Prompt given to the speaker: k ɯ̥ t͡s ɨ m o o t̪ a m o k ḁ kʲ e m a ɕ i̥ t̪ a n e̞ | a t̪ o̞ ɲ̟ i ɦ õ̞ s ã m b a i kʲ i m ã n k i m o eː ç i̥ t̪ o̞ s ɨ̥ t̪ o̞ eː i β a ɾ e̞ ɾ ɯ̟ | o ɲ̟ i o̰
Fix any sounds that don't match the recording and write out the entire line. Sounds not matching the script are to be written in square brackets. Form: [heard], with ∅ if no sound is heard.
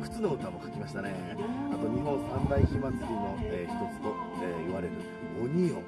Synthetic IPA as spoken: k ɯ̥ t͡s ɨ [n] o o t̪ a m o k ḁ kʲ [i] m a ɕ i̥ t̪ a n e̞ | a t̪ o̞ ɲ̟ i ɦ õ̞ s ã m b a i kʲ i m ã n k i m o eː ç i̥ t̪ o̞ [t͡s] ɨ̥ t̪ o̞ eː i β a ɾ e̞ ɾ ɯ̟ | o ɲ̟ i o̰

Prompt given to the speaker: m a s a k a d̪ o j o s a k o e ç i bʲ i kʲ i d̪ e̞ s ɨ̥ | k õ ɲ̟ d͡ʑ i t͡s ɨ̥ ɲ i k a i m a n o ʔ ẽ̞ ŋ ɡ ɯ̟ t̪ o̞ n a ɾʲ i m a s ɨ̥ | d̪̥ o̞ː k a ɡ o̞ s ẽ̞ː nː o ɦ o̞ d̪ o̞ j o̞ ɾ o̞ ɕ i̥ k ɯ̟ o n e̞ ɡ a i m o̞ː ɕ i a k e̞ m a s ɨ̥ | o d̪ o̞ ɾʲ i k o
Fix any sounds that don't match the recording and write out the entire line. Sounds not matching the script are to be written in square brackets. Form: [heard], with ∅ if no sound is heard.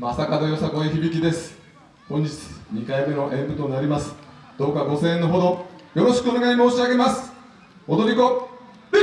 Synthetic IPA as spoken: m a s a k a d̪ o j o s a k o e ç i bʲ i kʲ i d̪ e̞ s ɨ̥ | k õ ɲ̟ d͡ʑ i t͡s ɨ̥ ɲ i k a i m [e] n o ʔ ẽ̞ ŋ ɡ ɯ̟ t̪ o̞ n a ɾʲ i m a s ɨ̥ | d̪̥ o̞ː k a ɡ o̞ s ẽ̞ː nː o ɦ o̞ d̪ o̞ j o̞ ɾ o̞ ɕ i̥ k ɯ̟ o n e̞ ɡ a i m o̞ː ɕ i a [ɡ] e̞ m a s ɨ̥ | o d̪ o̞ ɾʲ i k o

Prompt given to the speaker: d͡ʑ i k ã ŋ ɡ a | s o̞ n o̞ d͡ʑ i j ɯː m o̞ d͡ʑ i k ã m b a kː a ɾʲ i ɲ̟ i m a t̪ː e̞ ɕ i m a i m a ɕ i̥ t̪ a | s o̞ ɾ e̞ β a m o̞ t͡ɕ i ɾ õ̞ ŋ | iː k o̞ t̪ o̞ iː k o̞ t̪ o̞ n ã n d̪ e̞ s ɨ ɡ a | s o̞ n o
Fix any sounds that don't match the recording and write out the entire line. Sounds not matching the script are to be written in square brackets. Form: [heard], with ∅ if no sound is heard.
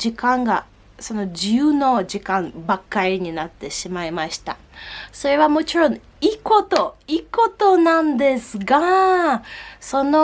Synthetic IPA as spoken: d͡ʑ i k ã ŋ ɡ a | s o̞ n o̞ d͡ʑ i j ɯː [n] o̞ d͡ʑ i k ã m b a kː a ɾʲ i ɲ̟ i [n] a t̪ː e̞ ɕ i m a i m a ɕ i̥ t̪ a | s o̞ ɾ e̞ β a m o̞ t͡ɕ i ɾ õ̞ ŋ | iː k o̞ t̪ o̞ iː k o̞ t̪ o̞ n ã n d̪ e̞ s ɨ ɡ a | s o̞ n o

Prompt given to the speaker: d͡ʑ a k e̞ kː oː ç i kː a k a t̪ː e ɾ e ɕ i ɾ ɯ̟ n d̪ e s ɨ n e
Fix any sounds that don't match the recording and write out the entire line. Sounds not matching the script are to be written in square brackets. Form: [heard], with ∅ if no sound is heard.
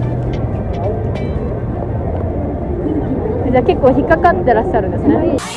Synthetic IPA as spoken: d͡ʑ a k e̞ kː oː ç i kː a k a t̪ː e ɾ [a] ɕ [a] ɾ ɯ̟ n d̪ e s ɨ n e

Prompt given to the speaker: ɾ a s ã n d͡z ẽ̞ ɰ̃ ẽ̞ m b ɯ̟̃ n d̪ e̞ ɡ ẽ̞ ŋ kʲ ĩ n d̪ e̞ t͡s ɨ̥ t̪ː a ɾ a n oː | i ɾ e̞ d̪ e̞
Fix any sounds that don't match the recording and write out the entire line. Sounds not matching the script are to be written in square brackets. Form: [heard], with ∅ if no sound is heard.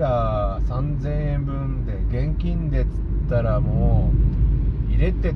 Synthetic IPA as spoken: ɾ a s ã n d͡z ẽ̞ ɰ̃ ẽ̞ m b ɯ̟̃ n d̪ e̞ ɡ ẽ̞ ŋ kʲ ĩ n d̪ e̞ t͡s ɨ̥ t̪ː a ɾ a [m] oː | i ɾ e̞ [t̪] e̞

